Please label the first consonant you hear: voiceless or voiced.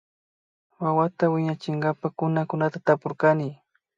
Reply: voiced